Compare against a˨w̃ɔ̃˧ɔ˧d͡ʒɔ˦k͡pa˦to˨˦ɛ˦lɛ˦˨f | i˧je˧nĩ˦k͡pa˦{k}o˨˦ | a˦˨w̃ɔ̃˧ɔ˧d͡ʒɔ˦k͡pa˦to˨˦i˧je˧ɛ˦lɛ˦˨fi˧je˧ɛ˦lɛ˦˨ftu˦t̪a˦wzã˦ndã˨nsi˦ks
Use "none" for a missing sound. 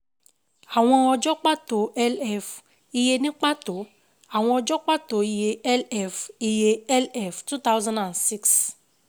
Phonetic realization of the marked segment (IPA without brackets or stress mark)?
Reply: t